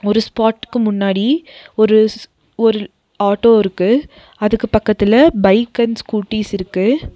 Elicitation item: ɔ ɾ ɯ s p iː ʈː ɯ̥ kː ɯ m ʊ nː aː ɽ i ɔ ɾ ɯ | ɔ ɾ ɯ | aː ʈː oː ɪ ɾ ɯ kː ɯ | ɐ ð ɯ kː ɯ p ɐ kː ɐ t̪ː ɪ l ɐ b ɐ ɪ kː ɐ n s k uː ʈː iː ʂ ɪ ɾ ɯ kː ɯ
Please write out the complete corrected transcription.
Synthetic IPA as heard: ɔ ɾ ɯ s p aː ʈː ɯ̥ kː ɯ m ʊ nː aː ɽ i ɔ ɾ ɯ | ɔ ɾ ɯ | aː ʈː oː ɪ ɾ ɯ kː ɯ | ɐ ð ɯ kː ɯ p ɐ kː ɐ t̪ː ɪ l ɐ b ɐ ɪ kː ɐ n s k uː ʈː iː s ɪ ɾ ɯ kː ɯ